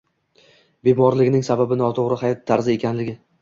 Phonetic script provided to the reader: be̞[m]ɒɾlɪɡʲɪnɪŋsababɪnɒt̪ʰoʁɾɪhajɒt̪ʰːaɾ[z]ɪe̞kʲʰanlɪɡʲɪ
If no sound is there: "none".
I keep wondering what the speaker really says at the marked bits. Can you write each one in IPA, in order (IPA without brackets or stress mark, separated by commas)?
m, z